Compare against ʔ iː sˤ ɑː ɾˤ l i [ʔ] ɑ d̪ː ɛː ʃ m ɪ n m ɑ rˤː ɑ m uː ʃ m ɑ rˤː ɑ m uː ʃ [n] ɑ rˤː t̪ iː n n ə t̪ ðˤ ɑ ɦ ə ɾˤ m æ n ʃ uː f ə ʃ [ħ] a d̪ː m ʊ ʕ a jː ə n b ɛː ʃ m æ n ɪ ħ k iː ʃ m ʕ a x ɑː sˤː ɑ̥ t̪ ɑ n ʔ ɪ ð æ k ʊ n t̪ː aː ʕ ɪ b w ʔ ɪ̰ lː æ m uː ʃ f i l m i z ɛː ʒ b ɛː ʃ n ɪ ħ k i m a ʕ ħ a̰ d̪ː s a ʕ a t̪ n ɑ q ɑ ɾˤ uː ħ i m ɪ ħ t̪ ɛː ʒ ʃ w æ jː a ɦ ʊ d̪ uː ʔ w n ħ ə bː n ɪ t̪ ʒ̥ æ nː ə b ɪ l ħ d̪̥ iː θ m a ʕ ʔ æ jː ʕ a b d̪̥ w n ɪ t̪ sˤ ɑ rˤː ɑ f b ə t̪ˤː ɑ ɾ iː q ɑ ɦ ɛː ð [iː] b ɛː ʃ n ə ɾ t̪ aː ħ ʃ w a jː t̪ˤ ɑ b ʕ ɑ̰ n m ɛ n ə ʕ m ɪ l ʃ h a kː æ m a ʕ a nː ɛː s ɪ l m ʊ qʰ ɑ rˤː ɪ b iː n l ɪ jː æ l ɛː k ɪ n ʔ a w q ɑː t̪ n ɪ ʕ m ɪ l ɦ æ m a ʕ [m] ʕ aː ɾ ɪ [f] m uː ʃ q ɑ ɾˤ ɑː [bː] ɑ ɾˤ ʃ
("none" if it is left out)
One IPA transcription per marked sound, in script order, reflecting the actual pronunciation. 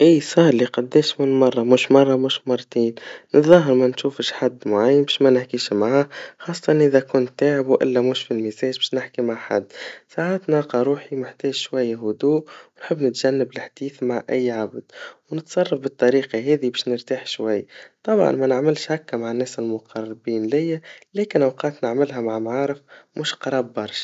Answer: q, m, ħ, i, m, f, bː

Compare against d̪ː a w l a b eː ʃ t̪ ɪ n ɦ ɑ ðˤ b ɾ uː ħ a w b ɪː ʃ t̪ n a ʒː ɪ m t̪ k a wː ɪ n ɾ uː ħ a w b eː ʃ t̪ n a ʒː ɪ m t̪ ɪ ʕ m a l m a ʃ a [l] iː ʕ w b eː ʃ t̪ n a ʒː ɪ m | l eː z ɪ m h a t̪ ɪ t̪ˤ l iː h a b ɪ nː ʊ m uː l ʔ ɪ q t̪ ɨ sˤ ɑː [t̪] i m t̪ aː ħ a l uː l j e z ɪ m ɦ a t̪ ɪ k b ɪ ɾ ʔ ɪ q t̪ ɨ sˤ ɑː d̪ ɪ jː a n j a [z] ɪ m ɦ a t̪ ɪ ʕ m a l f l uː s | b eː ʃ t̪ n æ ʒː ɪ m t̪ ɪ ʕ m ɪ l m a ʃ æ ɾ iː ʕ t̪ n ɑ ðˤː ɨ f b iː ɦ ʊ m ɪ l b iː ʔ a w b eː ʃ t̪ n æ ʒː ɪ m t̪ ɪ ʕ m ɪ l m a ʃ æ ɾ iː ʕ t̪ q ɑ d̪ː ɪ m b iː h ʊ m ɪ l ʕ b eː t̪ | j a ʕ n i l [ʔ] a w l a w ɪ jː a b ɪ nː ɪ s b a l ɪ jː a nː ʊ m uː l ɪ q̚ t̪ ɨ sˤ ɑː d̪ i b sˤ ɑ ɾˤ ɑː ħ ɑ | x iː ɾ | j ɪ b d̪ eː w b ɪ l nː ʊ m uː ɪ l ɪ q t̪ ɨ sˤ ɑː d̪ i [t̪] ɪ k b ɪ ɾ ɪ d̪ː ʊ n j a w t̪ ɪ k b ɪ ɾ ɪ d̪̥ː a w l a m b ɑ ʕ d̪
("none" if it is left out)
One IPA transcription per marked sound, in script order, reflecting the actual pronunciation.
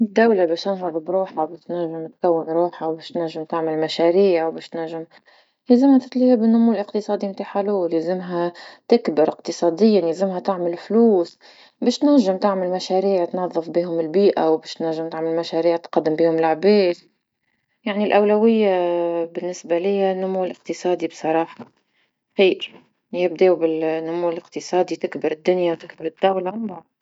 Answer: ɾ, d̪, z, ʔ, t̪

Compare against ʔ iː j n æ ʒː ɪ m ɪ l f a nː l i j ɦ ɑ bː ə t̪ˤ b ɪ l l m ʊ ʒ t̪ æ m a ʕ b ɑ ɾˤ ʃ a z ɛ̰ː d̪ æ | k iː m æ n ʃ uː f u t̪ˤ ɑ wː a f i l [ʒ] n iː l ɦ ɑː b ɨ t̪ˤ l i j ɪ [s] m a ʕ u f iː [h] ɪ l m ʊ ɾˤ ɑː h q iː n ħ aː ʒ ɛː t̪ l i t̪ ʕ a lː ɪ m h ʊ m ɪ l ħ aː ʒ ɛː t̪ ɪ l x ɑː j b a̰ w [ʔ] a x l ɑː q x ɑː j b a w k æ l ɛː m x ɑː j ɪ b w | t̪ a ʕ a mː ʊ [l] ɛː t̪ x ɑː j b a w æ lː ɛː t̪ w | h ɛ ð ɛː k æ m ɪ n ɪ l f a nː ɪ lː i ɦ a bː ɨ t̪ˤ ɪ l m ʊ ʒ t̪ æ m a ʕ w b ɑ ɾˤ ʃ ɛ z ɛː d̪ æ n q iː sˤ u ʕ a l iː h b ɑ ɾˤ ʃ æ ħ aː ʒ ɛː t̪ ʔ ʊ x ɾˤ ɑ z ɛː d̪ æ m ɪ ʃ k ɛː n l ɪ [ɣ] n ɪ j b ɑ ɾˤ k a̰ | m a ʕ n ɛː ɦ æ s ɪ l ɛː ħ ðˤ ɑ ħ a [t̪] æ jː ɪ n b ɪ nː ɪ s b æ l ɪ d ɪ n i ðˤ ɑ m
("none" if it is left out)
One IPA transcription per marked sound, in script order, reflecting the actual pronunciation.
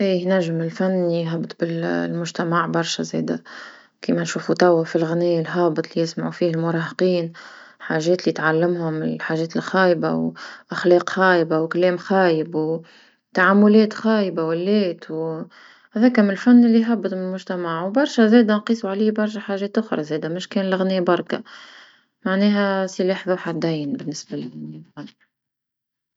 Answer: ɣ, s, h, ʔ, l, ɣ, d̪

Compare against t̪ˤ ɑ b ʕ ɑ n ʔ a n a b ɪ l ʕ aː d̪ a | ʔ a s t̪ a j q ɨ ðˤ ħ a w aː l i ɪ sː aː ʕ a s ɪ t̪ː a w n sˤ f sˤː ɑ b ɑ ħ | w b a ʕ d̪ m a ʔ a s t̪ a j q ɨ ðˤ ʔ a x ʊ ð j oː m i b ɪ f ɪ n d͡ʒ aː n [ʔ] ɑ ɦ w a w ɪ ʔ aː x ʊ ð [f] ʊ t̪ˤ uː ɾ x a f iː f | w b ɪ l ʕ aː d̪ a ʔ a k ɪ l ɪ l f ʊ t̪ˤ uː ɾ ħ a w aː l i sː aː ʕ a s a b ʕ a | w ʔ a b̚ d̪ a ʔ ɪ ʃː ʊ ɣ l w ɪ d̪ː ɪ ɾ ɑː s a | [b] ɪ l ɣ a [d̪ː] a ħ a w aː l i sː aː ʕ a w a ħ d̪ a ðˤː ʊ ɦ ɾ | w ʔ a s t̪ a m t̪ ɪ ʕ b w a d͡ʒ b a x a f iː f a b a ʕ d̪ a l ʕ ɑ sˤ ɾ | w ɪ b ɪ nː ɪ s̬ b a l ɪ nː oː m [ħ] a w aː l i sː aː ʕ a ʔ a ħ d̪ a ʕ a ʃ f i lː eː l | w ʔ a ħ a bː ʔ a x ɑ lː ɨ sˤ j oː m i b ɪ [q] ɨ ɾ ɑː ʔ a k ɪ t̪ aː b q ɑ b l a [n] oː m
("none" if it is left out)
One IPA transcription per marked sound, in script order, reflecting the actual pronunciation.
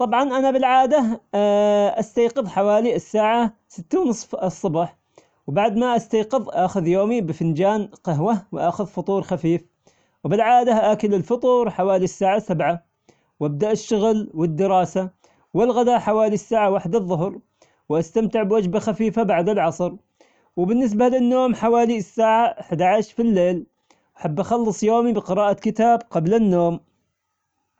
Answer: q, f, w, d̪, ħ, q, nː

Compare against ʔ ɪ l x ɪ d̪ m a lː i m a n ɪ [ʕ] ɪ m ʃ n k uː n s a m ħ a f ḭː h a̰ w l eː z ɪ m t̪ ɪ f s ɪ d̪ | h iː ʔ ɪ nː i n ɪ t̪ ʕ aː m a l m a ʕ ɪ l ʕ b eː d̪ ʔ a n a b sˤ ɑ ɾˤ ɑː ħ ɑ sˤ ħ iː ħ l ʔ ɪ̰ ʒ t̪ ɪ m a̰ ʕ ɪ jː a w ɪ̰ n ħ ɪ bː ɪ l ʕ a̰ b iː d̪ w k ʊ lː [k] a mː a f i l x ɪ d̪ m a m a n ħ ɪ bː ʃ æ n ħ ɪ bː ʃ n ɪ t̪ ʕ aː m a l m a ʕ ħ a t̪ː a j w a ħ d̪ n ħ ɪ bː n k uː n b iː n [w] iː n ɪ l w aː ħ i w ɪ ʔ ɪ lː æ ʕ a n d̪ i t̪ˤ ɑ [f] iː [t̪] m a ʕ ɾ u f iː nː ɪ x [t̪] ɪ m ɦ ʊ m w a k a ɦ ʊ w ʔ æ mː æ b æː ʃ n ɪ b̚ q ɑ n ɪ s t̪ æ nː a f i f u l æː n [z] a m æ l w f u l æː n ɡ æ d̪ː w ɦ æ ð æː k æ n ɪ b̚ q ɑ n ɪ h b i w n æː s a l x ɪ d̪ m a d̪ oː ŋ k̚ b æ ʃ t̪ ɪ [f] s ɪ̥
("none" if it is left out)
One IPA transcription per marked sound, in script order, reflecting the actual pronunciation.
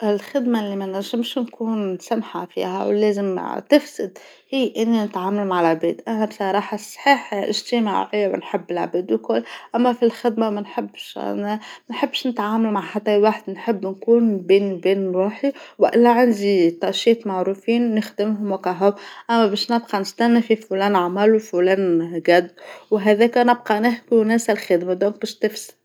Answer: ʒ, ʔ, b, ʃ, t̪, d̪, ʕ, f

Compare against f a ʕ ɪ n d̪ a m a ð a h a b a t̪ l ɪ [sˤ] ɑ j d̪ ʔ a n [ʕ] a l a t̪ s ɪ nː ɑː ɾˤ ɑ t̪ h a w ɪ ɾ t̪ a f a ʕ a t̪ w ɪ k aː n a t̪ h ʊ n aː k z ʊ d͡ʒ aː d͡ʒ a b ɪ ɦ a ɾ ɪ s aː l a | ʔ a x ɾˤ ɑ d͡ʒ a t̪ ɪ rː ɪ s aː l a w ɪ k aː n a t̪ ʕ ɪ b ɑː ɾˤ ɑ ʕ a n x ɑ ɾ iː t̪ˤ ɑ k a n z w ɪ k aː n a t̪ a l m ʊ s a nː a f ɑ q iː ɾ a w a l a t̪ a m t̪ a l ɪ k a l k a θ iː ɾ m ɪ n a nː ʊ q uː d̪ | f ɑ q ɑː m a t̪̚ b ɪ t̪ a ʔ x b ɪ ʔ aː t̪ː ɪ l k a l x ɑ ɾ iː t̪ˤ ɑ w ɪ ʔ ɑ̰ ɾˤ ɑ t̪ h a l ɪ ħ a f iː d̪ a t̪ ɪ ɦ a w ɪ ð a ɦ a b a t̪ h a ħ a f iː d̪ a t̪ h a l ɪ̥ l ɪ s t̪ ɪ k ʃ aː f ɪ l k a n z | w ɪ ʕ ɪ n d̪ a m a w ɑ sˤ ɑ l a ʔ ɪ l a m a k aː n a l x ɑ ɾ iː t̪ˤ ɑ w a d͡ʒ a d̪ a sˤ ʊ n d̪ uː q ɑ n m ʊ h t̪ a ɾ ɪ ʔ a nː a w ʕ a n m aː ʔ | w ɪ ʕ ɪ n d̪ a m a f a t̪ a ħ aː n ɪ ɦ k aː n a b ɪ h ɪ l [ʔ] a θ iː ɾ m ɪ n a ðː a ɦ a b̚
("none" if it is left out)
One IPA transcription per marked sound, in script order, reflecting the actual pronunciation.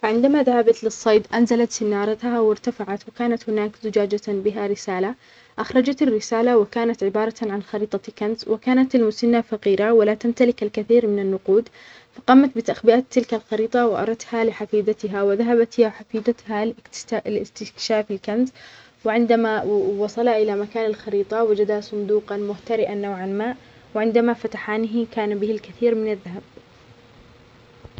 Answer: sˤː, z, k

